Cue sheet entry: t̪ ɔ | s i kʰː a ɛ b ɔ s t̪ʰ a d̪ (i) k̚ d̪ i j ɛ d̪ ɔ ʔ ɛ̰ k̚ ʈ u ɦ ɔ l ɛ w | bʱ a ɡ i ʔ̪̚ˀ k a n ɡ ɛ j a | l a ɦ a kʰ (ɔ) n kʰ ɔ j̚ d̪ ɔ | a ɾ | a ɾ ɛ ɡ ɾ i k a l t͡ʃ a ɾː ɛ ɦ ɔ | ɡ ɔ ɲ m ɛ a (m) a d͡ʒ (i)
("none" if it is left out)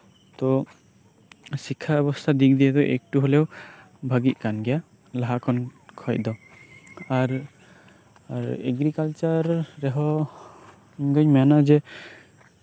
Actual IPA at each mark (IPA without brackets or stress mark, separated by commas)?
i, ɔ, n, ɛ